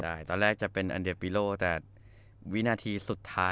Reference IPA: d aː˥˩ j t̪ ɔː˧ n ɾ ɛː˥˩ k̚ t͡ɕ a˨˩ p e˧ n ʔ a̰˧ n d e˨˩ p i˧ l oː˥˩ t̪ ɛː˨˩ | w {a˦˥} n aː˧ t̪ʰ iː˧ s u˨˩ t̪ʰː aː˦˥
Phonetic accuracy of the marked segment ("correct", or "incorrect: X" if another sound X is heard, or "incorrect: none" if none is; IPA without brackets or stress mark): incorrect: i˦˥